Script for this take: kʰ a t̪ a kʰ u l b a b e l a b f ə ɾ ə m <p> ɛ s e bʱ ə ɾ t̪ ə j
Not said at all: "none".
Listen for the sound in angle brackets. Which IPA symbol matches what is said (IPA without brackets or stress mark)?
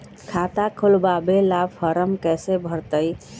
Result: k